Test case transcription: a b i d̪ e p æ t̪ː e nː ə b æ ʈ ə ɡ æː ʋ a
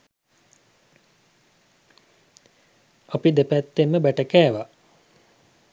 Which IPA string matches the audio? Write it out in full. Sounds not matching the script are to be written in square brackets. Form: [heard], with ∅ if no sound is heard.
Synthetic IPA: a [p] i d̪ e p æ t̪ː e [mː] ə b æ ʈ ə [k] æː ʋ a

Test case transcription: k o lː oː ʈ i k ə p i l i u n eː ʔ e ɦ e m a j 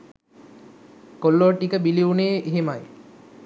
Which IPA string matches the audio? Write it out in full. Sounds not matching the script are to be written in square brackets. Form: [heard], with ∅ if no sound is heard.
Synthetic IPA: k o lː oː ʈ i k ə [b] i l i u n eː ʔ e ɦ e m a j

